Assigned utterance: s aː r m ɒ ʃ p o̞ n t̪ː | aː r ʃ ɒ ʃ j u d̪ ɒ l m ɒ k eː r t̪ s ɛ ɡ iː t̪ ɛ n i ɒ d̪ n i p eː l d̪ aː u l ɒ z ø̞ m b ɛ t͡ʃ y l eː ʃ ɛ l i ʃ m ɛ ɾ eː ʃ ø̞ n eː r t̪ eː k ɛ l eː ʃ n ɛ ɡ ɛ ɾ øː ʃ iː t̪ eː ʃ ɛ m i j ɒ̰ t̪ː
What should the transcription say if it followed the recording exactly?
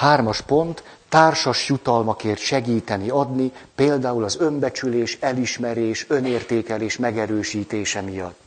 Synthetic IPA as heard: h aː r m ɒ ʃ p o̞ n t̪ː | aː r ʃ ɒ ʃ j u t̪ ɒ l m ɒ k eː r t̪ ʃ ɛ ɡ iː t̪ ɛ n i ɒ d̪ n i p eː l d̪ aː u l ɒ z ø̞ m b ɛ t͡ʃ y l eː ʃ ɛ l i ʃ m ɛ ɾ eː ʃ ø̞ n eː r t̪ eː k ɛ l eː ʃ m ɛ ɡ ɛ ɾ øː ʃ iː t̪ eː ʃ ɛ m i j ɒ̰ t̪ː